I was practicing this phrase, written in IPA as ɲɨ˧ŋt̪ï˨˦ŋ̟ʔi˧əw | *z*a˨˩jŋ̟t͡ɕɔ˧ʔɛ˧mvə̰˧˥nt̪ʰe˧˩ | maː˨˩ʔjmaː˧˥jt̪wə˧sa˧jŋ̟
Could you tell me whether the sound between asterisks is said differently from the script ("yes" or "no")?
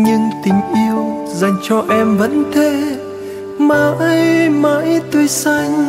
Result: no